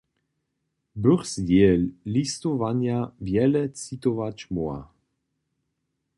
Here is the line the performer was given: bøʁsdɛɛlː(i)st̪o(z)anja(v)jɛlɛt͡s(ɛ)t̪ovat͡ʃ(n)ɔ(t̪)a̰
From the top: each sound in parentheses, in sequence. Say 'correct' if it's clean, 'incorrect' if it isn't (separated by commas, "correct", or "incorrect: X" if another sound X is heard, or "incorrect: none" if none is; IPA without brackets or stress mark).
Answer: correct, incorrect: v, correct, incorrect: i, incorrect: m, incorrect: none